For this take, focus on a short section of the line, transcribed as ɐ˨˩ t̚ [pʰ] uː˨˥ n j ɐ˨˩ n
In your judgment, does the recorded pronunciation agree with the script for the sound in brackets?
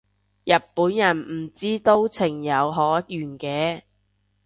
no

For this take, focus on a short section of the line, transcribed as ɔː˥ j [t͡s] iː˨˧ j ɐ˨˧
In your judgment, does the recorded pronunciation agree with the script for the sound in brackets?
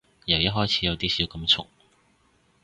no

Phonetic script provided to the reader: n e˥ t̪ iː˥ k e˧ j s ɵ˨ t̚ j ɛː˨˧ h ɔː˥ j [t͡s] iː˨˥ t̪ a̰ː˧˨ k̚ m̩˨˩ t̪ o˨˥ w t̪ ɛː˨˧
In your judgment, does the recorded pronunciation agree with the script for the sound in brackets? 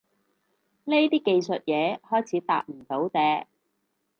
no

